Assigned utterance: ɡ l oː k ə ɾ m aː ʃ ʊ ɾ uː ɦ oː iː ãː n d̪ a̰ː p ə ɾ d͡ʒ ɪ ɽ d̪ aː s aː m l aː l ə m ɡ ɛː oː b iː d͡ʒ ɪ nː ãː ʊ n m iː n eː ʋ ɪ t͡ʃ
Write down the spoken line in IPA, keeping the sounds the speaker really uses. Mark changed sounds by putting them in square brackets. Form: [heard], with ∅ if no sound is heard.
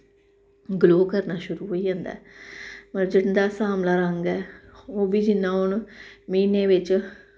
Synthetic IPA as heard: ɡ l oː k ə ɾ [n] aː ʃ ʊ ɾ uː ɦ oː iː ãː n d̪ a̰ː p ə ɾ d͡ʒ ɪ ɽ d̪ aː s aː m l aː [ɾ] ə [ŋ] ɡ ɛː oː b iː d͡ʒ ɪ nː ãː ʊ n m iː n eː ʋ ɪ t͡ʃ

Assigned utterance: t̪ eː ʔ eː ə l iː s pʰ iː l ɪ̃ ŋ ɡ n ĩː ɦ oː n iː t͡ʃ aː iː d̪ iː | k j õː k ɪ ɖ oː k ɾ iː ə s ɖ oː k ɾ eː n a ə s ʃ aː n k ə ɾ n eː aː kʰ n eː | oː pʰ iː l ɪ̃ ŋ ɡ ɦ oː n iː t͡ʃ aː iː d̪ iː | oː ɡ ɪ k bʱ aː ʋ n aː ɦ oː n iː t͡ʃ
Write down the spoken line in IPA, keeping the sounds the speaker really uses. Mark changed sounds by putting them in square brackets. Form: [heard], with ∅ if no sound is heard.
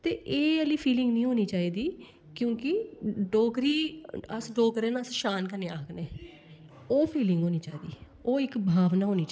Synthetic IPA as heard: t̪ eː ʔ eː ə l iː [∅] pʰ iː l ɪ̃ ŋ ɡ n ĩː ɦ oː n iː t͡ʃ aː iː d̪ iː | k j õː k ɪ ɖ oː k ɾ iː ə s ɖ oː k ɾ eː n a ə s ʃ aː n k ə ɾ n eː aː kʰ n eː | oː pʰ iː l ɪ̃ ŋ ɡ ɦ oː n iː t͡ʃ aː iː d̪ iː | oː [∅] ɪ k bʱ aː ʋ n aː ɦ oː n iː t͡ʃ

